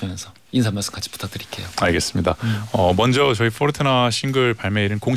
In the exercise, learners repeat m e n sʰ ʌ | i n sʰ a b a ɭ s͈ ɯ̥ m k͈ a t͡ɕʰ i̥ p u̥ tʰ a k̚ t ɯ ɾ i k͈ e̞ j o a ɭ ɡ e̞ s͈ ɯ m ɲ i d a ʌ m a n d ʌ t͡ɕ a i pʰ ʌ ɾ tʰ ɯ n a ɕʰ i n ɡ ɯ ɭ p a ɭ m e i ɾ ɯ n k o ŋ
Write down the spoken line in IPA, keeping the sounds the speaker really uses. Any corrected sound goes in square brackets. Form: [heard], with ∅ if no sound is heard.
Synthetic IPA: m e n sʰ ʌ | i n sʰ a [m] a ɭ s͈ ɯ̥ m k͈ a t͡ɕʰ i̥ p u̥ tʰ a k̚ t ɯ ɾ i k͈ e̞ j o a ɭ ɡ e̞ s͈ ɯ m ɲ i d a ʌ m [ʌ] n [d͡ʑ] ʌ t͡ɕ [ʌ] i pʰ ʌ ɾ tʰ ɯ n a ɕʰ i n ɡ ɯ ɭ p a ɭ m e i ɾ ɯ n k o ŋ